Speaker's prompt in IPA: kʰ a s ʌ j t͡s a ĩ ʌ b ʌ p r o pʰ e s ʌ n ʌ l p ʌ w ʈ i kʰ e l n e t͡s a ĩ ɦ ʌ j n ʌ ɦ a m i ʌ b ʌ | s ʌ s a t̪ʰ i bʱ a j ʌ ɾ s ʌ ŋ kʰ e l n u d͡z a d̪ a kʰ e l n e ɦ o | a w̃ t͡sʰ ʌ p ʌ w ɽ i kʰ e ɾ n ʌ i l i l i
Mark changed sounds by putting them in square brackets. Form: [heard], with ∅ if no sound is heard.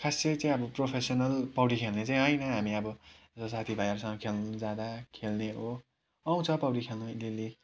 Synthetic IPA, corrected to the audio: kʰ a s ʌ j t͡s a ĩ ʌ b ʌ p r o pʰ e s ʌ n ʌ l p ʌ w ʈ i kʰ e l n e t͡s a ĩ ɦ ʌ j n ʌ ɦ a m i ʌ b ʌ | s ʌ s a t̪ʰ i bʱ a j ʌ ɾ s ʌ ŋ kʰ e l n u d͡z a d̪ a kʰ e l n e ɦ o | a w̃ t͡sʰ ʌ p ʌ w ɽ i kʰ e [l] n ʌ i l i l i